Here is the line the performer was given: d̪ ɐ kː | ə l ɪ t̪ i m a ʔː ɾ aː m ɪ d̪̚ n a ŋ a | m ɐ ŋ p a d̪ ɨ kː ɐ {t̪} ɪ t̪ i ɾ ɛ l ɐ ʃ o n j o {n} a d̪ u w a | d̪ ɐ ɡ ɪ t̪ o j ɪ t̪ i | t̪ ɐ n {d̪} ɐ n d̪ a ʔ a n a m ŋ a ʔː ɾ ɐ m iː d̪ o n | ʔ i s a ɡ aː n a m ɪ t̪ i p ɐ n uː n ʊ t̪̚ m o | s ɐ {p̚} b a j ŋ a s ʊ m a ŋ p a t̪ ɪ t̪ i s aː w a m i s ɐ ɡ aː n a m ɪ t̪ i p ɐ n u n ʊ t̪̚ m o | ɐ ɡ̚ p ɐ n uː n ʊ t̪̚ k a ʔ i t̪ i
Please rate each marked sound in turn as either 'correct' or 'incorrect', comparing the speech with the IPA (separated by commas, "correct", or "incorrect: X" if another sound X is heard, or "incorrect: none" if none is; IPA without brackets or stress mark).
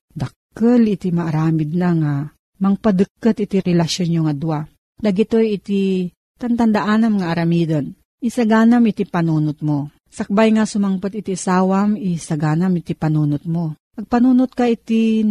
correct, incorrect: ŋ, incorrect: t̪, incorrect: k̚